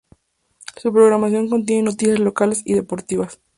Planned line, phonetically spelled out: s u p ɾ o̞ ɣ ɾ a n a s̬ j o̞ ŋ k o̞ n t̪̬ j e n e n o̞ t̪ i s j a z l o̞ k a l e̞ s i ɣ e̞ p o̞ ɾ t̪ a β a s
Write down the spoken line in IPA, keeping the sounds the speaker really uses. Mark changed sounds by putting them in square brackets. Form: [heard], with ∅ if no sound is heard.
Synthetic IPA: s u p ɾ o̞ ɣ ɾ a [m] a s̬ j o̞ ŋ k o̞ n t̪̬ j e n e n o̞ t̪ i s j a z l o̞ k a l e̞ s i [ð] e̞ p o̞ ɾ t̪ [i] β a s